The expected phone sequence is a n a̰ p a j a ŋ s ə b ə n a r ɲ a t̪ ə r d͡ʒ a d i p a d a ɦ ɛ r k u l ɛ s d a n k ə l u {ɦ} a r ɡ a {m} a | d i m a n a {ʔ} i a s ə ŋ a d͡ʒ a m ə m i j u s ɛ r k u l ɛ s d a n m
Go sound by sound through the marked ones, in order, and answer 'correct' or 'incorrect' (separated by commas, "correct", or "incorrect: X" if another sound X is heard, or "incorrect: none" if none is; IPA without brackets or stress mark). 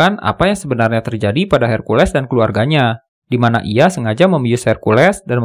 incorrect: none, incorrect: ɲ, correct